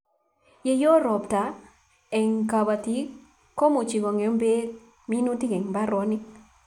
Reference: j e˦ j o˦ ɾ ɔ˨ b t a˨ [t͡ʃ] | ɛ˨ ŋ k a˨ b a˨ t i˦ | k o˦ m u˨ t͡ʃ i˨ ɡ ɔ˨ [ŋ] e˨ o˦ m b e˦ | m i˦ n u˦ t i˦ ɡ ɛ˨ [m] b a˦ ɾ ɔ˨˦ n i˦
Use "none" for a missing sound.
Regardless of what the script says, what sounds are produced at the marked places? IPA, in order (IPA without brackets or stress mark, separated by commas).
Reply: none, ŋ, ŋ